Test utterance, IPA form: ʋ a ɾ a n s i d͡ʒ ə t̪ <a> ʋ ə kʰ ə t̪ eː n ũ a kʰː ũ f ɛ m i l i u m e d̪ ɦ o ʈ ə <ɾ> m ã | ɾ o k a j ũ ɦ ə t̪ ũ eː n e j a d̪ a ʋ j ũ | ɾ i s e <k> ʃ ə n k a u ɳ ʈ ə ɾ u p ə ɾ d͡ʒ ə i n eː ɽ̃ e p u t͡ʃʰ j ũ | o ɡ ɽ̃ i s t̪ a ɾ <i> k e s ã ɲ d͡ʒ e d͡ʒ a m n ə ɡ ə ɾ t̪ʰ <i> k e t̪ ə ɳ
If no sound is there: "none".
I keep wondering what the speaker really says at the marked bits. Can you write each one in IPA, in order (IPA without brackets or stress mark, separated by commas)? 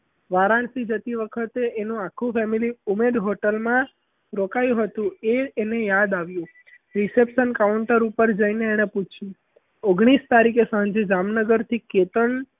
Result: i, l, p, i, i